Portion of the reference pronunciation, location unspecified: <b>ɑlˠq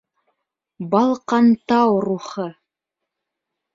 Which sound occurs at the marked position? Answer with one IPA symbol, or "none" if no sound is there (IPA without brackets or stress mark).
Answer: b